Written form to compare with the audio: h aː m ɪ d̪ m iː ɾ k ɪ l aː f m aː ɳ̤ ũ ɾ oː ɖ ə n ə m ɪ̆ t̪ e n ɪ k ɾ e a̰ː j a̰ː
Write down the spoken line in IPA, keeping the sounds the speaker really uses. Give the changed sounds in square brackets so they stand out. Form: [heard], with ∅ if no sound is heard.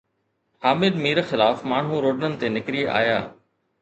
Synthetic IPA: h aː m ɪ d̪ m iː ɾ [x] ɪ l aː f m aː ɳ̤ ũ ɾ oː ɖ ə n ə [n] ɪ̆ t̪ e n ɪ k ɾ [i] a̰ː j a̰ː